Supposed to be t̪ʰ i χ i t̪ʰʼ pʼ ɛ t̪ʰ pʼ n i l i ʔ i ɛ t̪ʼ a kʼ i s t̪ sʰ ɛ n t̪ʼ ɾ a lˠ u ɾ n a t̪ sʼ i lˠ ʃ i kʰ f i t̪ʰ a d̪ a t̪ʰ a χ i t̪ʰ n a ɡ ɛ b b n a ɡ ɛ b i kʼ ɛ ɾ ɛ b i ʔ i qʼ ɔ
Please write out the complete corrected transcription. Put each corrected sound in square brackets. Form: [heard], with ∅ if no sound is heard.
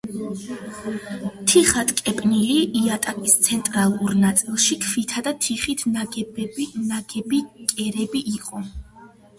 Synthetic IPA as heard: t̪ʰ i χ [a] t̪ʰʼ [kʼ] ɛ [∅] pʼ n i l i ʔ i [a] t̪ʼ a kʼ i s t̪ sʰ ɛ n t̪ʼ ɾ a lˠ u ɾ n a t̪ sʼ i lˠ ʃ i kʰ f i t̪ʰ a d̪ a t̪ʰ [i] χ i t̪ʰ n a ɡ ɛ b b n a ɡ ɛ b i kʼ ɛ ɾ ɛ b i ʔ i qʼ ɔ